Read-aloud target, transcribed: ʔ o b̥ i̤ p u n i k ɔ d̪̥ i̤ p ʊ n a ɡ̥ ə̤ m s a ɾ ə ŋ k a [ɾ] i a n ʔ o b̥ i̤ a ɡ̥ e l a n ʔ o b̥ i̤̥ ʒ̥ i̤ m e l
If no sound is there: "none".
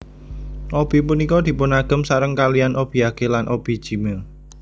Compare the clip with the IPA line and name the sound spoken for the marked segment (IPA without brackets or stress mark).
l